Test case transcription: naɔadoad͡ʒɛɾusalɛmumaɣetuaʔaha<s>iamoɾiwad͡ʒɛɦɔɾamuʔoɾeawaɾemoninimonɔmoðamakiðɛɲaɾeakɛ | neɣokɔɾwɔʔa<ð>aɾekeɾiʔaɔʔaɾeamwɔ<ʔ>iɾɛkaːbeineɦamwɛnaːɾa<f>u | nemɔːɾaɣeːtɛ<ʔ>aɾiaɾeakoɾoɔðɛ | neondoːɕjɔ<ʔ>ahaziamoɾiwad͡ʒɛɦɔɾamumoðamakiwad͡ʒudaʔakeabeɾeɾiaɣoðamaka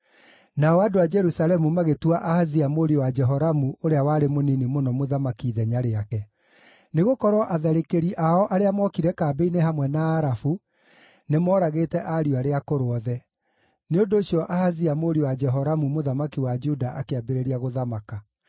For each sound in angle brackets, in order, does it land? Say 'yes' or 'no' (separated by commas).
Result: no, yes, no, yes, yes, yes